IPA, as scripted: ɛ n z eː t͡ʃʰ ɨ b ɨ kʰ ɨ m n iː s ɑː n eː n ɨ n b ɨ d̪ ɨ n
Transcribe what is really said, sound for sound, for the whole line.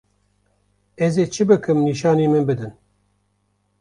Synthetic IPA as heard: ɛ z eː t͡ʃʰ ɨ b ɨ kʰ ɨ m n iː ʃ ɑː n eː m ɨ n b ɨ d̪ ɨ n